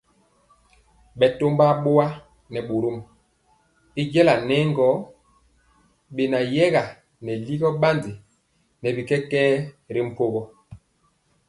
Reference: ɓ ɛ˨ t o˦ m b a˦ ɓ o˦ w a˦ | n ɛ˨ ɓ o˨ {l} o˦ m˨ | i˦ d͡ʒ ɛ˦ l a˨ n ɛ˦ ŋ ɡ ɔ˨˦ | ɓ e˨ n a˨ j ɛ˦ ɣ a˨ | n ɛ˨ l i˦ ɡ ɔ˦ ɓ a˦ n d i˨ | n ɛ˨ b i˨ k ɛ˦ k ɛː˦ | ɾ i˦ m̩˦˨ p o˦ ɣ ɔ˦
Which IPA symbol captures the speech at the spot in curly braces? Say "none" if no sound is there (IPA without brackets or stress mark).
ɾ